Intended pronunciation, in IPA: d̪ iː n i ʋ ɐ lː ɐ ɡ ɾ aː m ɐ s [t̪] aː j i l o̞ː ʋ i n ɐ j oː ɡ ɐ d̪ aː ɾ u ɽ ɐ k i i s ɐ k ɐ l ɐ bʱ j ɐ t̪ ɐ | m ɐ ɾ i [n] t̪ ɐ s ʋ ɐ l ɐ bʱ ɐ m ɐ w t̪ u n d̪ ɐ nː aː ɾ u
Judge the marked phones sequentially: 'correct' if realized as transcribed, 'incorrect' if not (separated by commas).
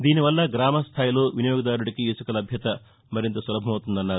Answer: incorrect, correct